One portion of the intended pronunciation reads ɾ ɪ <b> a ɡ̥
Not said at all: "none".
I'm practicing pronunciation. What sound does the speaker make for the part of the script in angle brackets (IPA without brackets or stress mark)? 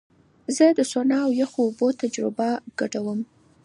b